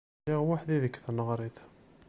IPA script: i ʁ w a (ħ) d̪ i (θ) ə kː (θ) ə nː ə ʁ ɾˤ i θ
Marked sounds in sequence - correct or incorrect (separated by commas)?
correct, incorrect, correct